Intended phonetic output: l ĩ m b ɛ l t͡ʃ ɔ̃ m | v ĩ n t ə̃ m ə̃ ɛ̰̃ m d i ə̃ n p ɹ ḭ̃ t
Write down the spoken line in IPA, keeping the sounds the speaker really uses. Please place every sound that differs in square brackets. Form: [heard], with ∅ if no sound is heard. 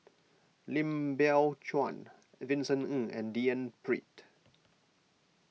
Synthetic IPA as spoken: l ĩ m b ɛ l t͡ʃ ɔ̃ [n] | v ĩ n [s] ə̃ [n] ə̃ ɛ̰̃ [n] d i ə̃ n p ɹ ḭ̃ t